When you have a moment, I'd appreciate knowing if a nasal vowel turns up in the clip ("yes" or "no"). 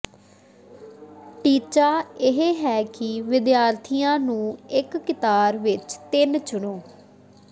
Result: yes